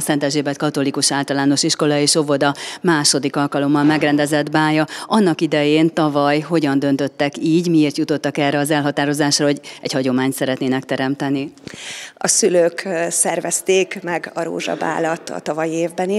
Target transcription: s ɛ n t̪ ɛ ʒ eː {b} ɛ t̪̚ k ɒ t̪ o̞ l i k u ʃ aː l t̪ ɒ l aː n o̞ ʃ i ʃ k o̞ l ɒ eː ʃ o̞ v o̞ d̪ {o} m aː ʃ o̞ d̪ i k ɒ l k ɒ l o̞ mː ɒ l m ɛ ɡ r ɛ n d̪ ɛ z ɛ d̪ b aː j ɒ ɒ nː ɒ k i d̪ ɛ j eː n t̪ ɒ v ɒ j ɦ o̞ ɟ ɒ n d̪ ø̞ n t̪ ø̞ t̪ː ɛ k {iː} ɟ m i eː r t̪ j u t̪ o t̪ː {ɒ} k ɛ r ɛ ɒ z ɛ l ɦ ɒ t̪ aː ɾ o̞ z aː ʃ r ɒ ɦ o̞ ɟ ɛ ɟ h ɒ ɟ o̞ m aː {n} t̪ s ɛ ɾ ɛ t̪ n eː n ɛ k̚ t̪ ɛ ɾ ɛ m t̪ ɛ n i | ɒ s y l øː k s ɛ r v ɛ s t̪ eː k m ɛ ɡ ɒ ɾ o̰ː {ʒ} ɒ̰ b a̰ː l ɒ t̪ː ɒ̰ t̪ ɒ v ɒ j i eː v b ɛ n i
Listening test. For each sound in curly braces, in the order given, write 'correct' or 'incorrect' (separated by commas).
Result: correct, incorrect, correct, correct, incorrect, correct